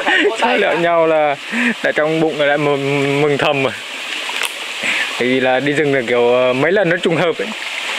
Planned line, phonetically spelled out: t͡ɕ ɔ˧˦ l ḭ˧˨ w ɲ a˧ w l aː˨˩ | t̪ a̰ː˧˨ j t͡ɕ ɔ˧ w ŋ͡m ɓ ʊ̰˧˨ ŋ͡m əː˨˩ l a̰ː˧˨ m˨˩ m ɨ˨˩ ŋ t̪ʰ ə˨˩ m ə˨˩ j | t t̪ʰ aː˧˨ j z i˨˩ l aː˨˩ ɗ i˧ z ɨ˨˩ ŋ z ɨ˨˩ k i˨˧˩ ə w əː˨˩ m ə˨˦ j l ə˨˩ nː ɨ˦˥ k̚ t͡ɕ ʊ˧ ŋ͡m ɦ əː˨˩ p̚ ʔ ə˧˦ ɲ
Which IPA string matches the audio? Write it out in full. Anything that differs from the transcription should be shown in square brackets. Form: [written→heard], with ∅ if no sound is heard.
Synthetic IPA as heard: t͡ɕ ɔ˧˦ l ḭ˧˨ w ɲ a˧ w l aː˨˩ | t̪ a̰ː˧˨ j t͡ɕ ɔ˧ w ŋ͡m ɓ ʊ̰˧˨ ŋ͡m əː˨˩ l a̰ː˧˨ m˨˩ m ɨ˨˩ ŋ t̪ʰ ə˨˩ m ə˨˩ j | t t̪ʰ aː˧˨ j [z→v] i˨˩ l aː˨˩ ɗ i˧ z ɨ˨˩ ŋ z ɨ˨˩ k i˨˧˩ ə w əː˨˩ m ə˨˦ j l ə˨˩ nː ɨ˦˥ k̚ t͡ɕ ʊ˧ ŋ͡m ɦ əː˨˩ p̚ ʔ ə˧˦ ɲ